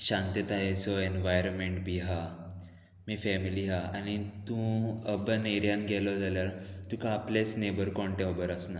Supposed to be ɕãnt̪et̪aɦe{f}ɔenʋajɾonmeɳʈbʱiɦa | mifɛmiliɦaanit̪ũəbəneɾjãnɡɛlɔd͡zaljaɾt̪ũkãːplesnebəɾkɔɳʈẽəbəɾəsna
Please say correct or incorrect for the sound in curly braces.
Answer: incorrect